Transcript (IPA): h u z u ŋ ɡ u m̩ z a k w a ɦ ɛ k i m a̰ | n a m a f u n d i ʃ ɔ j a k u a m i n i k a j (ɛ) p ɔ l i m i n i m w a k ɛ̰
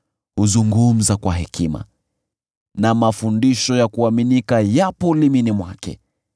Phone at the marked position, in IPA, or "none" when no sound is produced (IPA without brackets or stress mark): a